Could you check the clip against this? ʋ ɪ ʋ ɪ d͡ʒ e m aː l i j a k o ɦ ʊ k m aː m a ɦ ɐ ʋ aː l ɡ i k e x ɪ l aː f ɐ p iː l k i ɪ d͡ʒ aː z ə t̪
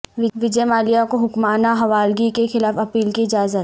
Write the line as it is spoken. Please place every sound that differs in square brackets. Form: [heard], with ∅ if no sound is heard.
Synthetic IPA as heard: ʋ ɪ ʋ ɪ d͡ʒ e m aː l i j a k o ɦ ʊ k m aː [n] a ɦ ɐ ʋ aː l ɡ i k e x ɪ l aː f ɐ p iː l k i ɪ d͡ʒ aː z ə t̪